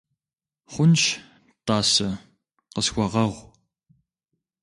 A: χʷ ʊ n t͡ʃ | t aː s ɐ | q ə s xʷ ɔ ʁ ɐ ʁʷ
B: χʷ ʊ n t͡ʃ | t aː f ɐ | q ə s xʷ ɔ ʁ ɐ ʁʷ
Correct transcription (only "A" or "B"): A